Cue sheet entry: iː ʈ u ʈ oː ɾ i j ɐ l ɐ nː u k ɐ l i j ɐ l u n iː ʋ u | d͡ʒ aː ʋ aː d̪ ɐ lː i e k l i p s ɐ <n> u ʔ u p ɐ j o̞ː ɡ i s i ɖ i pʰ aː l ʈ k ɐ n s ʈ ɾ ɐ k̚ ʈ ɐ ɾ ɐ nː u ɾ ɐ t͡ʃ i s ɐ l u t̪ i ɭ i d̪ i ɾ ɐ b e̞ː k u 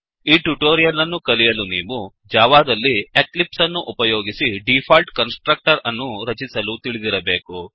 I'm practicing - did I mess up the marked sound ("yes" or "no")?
yes